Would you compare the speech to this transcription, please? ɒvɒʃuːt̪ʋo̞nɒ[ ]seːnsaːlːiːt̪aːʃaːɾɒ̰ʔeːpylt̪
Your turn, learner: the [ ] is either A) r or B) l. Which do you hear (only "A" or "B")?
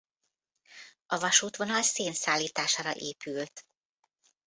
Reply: B